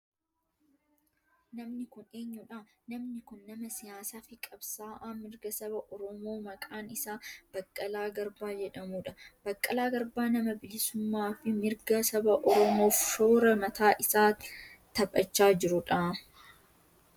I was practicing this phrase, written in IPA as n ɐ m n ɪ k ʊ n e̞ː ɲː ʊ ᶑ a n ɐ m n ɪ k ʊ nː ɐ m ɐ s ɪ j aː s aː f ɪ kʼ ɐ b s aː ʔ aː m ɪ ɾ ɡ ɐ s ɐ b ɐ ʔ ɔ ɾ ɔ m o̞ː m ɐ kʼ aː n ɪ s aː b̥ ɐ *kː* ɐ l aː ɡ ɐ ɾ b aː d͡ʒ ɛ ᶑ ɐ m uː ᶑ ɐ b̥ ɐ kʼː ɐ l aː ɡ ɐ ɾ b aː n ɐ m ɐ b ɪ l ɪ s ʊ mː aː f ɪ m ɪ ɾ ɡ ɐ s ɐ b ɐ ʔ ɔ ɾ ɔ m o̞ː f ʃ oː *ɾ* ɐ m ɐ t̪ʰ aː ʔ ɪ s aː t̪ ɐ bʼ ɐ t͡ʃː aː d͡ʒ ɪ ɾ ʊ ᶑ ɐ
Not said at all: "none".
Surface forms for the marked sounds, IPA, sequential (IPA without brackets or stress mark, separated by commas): kʼː, ɾ